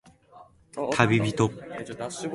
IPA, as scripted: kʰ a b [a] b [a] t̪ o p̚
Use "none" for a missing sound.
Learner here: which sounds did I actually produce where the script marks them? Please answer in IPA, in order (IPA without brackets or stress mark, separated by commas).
i, i